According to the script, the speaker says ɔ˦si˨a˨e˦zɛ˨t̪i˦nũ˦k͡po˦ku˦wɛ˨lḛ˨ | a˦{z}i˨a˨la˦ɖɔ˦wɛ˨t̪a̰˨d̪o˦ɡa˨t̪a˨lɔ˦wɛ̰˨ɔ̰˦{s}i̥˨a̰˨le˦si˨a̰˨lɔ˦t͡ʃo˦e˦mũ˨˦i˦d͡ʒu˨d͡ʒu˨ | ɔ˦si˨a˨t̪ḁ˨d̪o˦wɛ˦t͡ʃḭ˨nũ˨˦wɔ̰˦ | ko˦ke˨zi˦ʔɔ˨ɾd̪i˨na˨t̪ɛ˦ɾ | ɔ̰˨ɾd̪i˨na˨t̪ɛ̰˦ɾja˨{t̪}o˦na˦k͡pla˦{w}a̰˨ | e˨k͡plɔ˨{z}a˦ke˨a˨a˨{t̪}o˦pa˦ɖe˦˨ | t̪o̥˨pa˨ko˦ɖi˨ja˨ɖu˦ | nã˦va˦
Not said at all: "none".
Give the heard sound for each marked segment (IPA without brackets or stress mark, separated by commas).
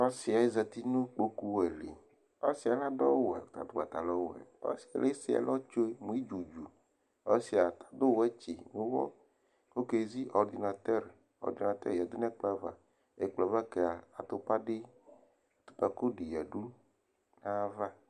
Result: s, s, d̪, v, v, t̪